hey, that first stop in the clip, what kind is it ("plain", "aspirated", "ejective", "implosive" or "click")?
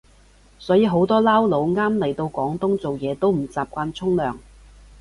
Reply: plain